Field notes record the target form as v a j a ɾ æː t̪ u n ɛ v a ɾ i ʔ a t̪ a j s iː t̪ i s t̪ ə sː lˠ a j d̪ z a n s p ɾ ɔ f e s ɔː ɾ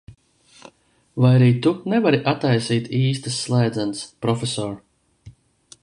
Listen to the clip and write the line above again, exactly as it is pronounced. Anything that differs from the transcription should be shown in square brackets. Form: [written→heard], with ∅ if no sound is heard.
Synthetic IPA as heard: v a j a ɾ [æː→iː] t̪ u n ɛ v a ɾ i ʔ a t̪ a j s iː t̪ [i→iː] s t̪ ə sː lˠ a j d̪ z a n s p ɾ ɔ f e s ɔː ɾ